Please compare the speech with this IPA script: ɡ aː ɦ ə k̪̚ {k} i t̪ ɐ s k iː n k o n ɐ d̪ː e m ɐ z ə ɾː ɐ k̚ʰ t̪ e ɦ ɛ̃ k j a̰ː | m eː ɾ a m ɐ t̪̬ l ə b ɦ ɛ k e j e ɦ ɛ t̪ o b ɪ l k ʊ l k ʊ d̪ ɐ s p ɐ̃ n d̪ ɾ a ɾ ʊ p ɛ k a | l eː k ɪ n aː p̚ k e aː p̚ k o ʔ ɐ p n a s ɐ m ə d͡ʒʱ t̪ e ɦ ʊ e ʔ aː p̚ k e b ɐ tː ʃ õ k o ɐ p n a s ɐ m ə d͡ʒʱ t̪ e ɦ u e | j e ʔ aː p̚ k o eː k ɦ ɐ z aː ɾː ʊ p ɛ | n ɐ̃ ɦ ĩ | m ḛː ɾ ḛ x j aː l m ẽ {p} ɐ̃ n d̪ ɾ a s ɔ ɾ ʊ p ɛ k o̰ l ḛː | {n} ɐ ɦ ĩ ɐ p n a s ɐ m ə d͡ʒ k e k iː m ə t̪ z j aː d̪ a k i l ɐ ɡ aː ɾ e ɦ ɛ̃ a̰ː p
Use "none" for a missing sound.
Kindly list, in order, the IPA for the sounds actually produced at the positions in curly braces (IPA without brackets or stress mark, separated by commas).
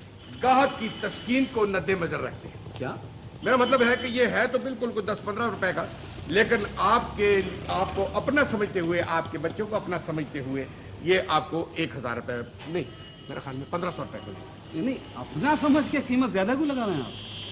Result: k, p, n